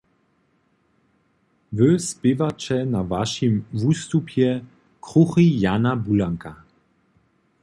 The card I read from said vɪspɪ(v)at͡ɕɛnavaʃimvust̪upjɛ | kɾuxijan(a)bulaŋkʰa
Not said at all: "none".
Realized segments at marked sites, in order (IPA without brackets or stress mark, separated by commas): v, a